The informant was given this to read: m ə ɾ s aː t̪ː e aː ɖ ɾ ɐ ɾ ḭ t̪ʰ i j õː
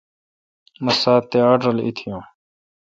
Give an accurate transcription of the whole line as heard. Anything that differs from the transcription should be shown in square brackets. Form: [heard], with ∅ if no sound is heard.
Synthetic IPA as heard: m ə [∅] s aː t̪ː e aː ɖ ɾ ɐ [l] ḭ t̪ʰ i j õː